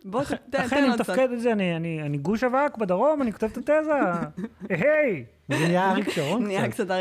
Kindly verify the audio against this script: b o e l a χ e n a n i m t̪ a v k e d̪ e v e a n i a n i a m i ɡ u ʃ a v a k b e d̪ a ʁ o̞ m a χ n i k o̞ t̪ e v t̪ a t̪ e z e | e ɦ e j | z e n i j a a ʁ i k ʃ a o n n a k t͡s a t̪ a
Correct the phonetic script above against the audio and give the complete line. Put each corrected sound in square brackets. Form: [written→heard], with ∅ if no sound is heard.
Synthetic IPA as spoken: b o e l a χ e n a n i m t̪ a [v→f] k e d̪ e [v→z] e a n i a n i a [m→n] i ɡ u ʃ a v a k b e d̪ a ʁ o̞ m a [χ→∅] n i k o̞ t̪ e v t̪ a t̪ e z [e→a] | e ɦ e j | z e n i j a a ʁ i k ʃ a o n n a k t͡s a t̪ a